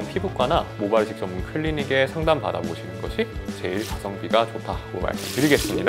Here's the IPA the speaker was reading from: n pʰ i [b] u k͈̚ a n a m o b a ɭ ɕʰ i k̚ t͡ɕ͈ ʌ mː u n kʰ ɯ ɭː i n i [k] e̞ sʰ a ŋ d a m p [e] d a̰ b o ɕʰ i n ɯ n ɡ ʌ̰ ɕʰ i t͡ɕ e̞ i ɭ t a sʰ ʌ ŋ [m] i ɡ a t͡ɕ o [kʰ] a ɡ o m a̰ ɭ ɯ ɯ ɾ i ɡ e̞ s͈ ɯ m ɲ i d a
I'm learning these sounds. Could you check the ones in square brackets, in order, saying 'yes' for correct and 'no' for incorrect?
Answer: yes, no, no, no, no

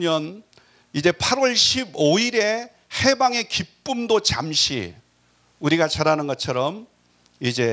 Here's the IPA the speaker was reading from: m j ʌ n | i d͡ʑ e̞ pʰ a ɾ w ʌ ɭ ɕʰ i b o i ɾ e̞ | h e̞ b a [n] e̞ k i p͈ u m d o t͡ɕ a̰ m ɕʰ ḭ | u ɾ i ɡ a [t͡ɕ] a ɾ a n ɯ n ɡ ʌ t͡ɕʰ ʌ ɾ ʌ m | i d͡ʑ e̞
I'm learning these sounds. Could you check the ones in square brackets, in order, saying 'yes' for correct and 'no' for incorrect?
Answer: no, yes

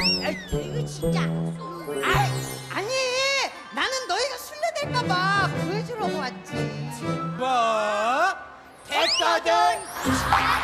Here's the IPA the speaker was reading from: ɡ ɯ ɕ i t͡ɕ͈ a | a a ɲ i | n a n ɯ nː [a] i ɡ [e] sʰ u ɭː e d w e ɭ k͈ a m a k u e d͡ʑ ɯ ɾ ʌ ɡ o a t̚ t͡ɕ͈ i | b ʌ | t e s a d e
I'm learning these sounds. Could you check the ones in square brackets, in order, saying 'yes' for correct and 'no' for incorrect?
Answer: no, no

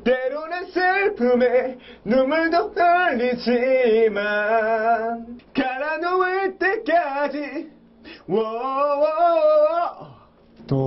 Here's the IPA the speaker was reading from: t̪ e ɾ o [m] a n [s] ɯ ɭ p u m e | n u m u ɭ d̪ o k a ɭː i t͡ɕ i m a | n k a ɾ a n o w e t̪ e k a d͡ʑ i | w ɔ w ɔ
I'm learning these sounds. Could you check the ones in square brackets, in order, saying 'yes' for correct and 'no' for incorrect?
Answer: no, yes

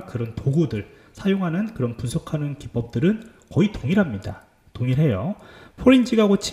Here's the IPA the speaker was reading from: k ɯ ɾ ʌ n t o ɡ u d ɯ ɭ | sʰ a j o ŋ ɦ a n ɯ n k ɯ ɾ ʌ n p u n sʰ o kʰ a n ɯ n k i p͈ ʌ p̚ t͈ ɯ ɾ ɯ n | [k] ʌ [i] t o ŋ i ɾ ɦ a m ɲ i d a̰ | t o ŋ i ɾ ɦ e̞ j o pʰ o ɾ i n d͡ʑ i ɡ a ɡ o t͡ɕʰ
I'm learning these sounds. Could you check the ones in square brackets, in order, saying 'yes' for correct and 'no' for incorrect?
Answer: yes, yes

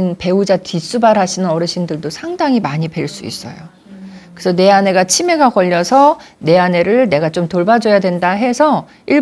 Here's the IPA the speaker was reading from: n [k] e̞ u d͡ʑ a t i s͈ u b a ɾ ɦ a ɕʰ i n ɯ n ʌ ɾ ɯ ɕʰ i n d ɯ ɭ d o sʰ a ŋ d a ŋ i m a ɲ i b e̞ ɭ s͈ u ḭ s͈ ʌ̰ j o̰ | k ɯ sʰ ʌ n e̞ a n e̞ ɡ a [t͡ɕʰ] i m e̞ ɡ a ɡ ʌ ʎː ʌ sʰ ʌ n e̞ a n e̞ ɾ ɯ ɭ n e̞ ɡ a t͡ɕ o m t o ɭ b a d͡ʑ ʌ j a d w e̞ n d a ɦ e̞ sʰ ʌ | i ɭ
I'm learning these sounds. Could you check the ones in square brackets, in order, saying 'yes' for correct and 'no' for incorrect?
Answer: no, yes

